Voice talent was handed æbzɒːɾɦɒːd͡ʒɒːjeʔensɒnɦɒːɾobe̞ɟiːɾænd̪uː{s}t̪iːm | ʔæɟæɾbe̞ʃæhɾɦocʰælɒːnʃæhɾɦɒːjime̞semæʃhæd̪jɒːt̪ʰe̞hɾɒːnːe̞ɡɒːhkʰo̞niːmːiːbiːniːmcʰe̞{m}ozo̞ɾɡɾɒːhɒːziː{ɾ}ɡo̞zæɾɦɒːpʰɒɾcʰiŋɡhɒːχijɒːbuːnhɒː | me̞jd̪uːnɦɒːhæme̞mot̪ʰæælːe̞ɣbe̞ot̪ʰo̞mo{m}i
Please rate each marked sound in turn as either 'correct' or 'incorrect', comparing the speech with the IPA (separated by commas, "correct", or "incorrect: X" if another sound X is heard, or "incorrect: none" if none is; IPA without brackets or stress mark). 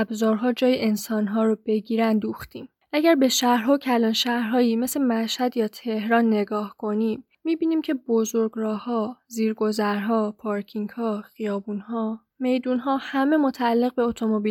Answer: incorrect: x, incorrect: b, correct, incorrect: b